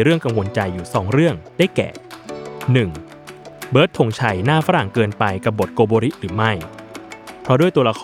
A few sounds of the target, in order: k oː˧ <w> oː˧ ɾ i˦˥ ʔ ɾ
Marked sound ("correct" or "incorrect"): incorrect